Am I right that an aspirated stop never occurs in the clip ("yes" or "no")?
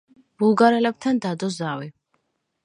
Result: no